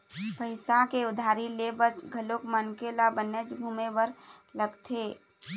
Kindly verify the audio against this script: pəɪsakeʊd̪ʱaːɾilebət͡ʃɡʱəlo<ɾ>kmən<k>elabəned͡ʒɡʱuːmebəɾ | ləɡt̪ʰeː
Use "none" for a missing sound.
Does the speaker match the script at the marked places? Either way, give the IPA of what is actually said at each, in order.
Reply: none, k

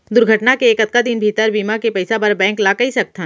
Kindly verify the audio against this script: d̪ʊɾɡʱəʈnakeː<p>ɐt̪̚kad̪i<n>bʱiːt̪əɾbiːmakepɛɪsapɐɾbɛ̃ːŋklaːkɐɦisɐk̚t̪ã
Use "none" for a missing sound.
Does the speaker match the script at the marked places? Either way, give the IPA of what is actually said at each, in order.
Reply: k, n

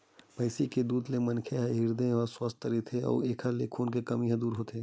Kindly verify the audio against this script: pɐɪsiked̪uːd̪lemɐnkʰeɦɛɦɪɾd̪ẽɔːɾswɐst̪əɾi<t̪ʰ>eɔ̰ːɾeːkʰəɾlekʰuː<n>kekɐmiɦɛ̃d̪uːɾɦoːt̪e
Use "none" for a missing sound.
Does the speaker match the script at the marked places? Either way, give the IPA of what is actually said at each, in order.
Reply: t̪ʰ, n

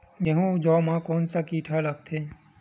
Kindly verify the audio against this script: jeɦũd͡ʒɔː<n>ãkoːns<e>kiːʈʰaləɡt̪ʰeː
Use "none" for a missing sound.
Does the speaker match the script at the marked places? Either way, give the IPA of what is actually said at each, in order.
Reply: m, a

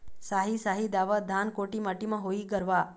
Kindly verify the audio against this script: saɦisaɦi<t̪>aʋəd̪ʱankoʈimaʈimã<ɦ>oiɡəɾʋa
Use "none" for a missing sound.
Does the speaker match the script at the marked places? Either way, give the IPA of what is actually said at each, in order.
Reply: d̪, ɦ

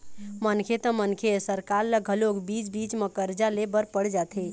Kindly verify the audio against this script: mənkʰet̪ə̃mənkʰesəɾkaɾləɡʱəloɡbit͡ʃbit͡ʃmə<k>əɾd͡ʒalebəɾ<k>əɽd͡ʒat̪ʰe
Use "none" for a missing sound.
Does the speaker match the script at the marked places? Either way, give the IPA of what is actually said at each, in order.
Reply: k, p

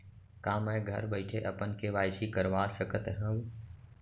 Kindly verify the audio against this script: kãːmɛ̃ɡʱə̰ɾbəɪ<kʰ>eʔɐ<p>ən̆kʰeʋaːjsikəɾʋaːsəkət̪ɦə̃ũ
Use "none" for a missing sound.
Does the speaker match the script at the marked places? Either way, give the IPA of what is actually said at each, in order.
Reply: ʈʰ, p

